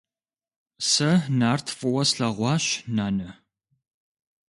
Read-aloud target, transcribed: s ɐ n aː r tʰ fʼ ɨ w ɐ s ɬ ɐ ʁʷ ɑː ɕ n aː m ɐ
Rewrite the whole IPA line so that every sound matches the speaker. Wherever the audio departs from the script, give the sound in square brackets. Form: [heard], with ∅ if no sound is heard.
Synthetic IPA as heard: s ɐ n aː r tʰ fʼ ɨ w ɐ s ɬ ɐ ʁʷ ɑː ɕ n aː [n] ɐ